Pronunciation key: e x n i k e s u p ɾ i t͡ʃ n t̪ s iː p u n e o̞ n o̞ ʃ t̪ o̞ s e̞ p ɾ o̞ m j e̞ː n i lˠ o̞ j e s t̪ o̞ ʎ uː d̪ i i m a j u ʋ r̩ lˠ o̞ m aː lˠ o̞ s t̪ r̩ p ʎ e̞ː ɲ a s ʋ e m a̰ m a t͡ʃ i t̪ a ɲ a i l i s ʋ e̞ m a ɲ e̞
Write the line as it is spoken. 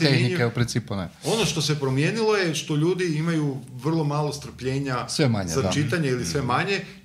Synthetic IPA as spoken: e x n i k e u p ɾ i n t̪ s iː p u n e o̞ n o̞ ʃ t̪ o̞ s e̞ p ɾ o̞ m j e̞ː n i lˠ o̞ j e ʃ t̪ o̞ ʎ uː d̪ i i m a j u ʋ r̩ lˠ o̞ m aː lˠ o̞ s t̪ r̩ p ʎ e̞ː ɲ a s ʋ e m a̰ ɲ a t͡ʃ i t̪ a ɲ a i l i s ʋ e̞ m a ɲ e̞